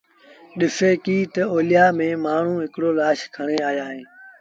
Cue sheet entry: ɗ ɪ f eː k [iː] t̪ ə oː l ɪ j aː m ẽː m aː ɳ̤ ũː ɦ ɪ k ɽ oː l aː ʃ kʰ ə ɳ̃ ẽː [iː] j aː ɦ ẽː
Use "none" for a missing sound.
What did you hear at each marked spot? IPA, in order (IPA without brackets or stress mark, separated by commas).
iː, aː